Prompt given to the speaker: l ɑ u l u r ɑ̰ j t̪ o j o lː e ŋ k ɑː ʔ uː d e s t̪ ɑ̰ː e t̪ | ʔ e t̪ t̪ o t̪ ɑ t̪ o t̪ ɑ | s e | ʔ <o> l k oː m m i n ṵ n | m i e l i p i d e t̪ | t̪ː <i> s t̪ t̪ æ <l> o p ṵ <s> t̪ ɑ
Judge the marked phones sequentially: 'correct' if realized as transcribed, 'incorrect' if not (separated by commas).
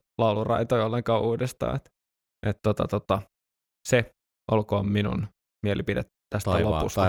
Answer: correct, incorrect, correct, correct